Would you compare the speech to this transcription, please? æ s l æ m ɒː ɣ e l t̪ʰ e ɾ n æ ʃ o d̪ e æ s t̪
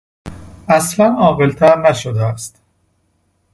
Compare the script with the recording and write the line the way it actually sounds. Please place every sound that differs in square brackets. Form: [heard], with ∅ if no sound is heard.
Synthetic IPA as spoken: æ s l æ [n] ɒː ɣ e l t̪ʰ [æ] ɾ n æ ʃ o d̪ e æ s t̪

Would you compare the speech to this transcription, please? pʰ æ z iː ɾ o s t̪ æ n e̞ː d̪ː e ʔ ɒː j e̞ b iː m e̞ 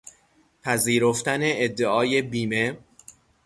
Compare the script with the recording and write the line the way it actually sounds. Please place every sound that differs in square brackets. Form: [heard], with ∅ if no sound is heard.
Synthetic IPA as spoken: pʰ æ z iː ɾ o [f] t̪ æ n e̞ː d̪ː e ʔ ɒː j e̞ b iː m e̞

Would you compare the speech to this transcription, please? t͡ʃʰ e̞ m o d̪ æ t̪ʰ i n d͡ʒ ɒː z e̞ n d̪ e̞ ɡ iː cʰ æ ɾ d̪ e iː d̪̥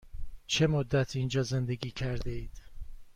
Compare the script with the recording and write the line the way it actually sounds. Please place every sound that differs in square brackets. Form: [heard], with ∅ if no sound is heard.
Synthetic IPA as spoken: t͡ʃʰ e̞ m o [d̪ː] æ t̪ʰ i n d͡ʒ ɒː z e̞ n d̪ e̞ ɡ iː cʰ æ ɾ d̪ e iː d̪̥

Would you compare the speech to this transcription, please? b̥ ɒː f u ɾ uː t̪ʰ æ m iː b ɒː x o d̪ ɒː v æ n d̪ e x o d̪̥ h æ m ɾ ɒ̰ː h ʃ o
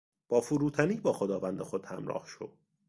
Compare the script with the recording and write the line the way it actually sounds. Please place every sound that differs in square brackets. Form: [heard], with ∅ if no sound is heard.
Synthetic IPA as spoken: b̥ ɒː f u ɾ uː t̪ʰ æ [n] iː b ɒː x o d̪ ɒː v æ n d̪ e x o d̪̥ h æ m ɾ ɒ̰ː h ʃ o

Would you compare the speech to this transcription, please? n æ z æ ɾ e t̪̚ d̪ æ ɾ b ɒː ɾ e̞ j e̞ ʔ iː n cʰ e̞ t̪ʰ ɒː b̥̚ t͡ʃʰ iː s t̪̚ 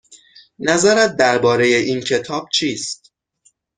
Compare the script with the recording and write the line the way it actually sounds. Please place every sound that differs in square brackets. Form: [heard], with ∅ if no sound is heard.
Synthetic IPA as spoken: n æ z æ ɾ [æ] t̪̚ d̪ æ ɾ b ɒː ɾ e̞ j e̞ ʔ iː n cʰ e̞ t̪ʰ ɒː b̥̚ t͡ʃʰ iː s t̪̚

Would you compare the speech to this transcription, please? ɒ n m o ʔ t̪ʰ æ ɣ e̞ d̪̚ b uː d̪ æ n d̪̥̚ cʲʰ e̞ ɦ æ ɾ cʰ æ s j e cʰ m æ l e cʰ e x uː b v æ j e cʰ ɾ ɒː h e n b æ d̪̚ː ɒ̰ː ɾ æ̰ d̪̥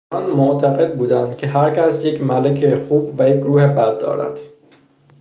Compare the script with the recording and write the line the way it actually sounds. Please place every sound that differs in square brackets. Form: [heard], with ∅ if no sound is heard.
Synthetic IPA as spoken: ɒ n m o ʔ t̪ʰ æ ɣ e̞ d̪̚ b uː d̪ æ n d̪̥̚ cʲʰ e̞ ɦ æ ɾ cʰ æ s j e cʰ m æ l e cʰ e x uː b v æ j e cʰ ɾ [uː] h e [∅] b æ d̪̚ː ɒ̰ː ɾ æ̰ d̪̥

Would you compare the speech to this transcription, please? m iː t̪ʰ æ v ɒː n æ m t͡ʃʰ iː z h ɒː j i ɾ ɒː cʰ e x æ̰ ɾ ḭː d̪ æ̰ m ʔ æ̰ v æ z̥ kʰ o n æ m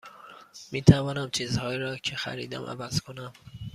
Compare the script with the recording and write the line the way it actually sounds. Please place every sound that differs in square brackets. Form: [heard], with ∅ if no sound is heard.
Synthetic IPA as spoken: m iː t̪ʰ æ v ɒː n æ m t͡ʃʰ iː z h ɒː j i ɾ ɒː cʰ e x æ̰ ɾ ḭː d̪ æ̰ m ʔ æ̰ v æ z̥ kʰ o n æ m

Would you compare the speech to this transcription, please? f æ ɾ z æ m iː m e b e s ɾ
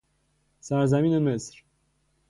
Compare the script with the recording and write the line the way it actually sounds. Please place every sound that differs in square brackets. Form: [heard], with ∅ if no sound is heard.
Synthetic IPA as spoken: [s] æ ɾ z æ m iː [n] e [m] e s ɾ

